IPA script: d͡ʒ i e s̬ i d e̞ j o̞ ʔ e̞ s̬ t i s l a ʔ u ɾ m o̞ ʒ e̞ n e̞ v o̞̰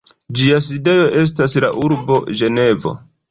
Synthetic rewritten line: d͡ʒ i a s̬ i d e̞ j o̞ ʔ e̞ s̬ t a s l a ʔ u ɾ b o̞ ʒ e̞ n e̞ v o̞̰